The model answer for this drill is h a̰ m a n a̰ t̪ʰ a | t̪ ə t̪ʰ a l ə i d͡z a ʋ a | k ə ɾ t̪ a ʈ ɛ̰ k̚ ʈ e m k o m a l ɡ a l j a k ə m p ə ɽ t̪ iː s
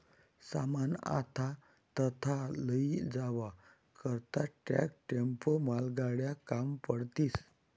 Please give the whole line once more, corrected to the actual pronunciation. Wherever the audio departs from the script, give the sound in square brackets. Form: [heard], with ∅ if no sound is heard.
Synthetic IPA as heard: [s] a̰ m a n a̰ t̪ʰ a | t̪ ə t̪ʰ a l ə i d͡z a ʋ a | k ə ɾ t̪ a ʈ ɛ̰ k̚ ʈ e m [p] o m a l ɡ a [ɽ] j a k [a] m p ə ɽ t̪ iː s